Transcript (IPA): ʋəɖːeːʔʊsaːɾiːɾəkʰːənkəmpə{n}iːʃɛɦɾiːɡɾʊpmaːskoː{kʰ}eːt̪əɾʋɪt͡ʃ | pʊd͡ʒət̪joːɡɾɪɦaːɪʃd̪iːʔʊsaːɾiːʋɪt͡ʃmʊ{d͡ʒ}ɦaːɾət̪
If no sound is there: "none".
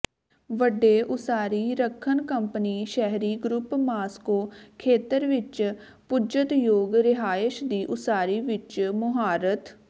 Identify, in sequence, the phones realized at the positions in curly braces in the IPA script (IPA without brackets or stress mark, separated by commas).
n, kʰ, none